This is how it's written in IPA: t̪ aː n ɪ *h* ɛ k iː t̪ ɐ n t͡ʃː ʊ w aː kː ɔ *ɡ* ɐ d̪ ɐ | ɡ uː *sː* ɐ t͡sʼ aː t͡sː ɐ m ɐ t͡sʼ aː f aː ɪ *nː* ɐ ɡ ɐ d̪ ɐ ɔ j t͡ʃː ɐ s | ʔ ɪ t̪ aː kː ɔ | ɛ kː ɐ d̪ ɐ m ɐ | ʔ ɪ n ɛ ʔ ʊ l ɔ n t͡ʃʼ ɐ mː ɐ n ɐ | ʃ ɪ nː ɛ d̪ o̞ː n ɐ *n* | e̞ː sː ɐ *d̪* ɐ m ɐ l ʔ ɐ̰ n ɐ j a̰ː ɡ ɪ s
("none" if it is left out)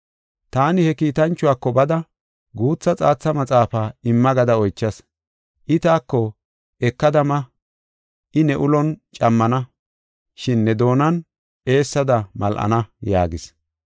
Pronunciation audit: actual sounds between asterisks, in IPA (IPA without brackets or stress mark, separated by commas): h, b, t͡sː, mː, n, d̪